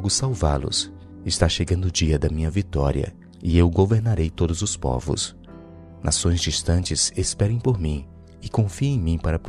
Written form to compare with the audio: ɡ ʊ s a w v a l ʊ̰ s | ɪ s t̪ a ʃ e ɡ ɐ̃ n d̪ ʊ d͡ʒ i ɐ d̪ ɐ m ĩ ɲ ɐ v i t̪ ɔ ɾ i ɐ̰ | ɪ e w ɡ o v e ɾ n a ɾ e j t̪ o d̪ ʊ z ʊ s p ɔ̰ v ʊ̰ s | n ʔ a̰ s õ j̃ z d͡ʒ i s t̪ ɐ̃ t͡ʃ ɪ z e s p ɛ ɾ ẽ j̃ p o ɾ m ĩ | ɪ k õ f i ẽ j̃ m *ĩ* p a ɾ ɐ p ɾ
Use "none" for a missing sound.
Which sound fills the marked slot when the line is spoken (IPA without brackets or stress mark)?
ĩ